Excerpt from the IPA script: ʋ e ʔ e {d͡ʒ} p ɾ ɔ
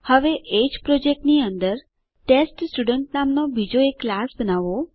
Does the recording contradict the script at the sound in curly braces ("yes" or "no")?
no